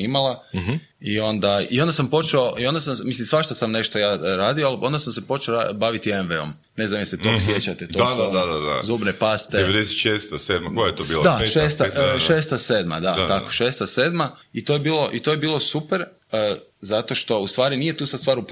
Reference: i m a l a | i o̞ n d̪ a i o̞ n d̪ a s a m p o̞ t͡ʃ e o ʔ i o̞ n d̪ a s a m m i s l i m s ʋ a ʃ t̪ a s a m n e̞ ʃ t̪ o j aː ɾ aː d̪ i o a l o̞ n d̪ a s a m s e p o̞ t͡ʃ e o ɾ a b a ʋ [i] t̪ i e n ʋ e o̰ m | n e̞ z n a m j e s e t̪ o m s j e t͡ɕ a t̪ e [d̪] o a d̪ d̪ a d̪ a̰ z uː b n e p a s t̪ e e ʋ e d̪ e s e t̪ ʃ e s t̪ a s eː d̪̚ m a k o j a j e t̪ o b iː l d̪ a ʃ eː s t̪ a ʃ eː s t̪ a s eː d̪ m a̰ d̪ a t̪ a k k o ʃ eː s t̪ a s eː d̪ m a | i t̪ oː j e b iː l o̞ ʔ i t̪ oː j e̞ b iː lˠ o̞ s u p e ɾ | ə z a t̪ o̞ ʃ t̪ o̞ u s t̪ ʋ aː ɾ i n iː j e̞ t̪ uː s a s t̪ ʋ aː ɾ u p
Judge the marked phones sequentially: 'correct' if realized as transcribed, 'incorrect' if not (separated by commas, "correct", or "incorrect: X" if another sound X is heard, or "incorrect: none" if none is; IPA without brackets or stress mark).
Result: correct, incorrect: t̪